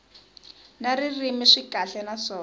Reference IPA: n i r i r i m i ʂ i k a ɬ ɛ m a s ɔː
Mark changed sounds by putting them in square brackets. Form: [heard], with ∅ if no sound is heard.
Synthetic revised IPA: n [a] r i r i m i ʂ i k a ɬ ɛ [n] a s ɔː